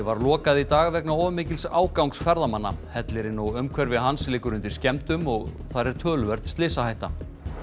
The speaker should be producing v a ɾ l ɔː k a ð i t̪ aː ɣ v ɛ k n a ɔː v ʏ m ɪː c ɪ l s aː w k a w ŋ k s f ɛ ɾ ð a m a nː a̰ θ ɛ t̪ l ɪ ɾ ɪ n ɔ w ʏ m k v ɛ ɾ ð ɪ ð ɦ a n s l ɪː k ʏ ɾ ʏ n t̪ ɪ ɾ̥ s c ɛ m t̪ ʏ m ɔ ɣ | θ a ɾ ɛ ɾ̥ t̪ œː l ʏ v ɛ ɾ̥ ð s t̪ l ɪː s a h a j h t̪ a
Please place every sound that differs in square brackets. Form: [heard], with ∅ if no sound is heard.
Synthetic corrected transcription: v a ɾ l ɔː k a ð i t̪ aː ɣ v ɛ k n a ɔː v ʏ m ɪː c ɪ l s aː w k a w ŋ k s f ɛ ɾ ð a m a nː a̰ [h] ɛ t̪ l ɪ ɾ ɪ n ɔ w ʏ m [kʰ] v ɛ ɾ [v] ɪ ð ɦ a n s l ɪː k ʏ ɾ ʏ n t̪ ɪ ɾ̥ s c ɛ m t̪ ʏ m ɔ ɣ | θ a ɾ ɛ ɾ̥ [t̪ʰ] œː l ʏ v ɛ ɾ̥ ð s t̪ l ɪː s a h a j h t̪ a

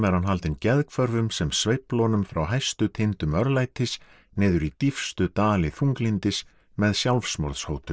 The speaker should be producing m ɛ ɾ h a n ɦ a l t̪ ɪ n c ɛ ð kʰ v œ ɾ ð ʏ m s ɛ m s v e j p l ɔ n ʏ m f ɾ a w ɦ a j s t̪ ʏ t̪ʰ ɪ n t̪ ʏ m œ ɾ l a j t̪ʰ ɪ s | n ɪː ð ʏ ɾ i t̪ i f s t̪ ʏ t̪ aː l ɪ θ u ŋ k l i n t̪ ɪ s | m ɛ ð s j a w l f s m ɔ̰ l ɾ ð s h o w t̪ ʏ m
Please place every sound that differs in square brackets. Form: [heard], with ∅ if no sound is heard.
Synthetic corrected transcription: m ɛ ɾ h a n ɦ a l t̪ ɪ n c ɛ ð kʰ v œ ɾ [v] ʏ m s ɛ m s v e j p l ɔ n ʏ m f ɾ a w ɦ a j s t̪ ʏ t̪ʰ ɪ n t̪ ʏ m œ ɾ l a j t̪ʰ ɪ s | n ɪː ð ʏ ɾ i t̪ i f s t̪ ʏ t̪ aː l ɪ θ u ŋ k l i n t̪ ɪ s | m ɛ ð s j a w l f s m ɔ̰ [∅] ɾ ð s h o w t̪ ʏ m

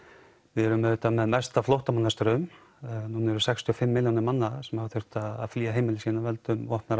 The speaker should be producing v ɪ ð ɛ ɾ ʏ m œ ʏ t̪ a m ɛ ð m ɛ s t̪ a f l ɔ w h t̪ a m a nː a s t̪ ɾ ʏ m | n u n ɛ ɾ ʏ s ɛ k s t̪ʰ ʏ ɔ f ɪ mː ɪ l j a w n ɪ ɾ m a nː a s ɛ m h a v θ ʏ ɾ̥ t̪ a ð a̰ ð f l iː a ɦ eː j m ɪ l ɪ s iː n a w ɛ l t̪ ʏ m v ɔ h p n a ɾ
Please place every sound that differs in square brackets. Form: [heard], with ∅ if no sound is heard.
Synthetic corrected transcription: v ɪ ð ɛ ɾ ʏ m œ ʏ t̪ a m ɛ ð m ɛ s t̪ a f l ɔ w h t̪ a m a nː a s t̪ ɾ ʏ m | n u n ɛ ɾ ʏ s ɛ k s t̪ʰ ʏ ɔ f ɪ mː ɪ l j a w n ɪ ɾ m a nː a s ɛ m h a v θ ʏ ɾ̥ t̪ a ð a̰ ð f l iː a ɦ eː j m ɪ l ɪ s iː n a [v] ɛ l t̪ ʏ m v ɔ h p n a ɾ

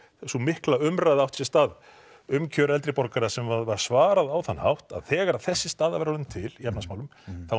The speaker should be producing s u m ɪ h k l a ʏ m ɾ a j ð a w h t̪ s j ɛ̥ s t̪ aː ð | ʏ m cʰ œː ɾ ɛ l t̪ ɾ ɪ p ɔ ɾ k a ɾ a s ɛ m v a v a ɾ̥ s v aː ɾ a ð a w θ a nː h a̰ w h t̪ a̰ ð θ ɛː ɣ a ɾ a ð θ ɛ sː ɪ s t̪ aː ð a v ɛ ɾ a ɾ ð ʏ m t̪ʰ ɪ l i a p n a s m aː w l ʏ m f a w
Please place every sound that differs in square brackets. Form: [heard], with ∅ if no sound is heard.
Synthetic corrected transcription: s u m ɪ h k l a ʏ m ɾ a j ð a w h t̪ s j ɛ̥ s t̪ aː ð | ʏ m cʰ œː ɾ ɛ l t̪ ɾ ɪ p ɔ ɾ k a ɾ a s ɛ m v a v a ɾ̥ s v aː ɾ a ð a w θ a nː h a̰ w h t̪ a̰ ð θ ɛː ɣ a ɾ a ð θ ɛ sː ɪ s t̪ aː ð a v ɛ ɾ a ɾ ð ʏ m t̪ʰ ɪ l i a p n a s m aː w l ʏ m [θ] a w

